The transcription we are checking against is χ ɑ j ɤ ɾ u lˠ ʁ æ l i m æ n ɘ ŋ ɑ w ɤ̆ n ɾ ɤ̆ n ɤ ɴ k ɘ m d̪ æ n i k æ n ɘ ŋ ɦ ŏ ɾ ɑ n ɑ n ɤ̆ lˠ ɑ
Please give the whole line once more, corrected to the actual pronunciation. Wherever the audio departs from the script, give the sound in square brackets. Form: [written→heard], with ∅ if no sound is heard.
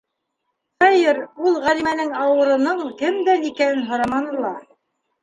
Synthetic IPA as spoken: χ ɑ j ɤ ɾ u lˠ ʁ æ l i m æ n ɘ ŋ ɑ w ɤ̆ [n→∅] ɾ ɤ̆ n ɤ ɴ k ɘ m d̪ æ n i k æ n ɘ [ŋ→n] ɦ ŏ ɾ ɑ [n→m] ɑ n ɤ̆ lˠ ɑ